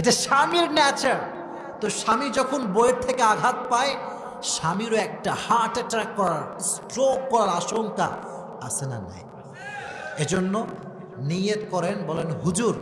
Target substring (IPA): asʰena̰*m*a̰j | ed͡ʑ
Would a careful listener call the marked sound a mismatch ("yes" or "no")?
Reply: yes